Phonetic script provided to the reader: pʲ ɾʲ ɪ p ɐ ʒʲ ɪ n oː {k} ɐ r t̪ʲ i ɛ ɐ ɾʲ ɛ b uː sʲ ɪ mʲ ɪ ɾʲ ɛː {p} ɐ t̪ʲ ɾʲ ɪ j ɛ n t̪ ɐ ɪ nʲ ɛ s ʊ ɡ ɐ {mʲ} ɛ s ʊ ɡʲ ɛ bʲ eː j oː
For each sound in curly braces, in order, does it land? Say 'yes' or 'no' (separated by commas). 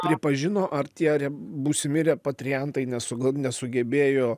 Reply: no, yes, no